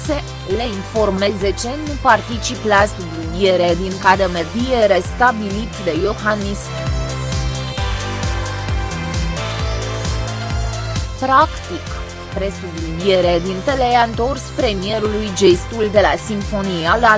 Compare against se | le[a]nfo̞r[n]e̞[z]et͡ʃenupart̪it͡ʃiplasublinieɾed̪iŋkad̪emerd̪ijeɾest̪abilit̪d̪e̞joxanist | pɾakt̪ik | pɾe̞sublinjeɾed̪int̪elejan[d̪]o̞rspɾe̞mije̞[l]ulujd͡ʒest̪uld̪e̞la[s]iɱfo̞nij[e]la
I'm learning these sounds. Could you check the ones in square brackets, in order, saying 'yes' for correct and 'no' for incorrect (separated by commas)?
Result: no, no, yes, no, no, yes, no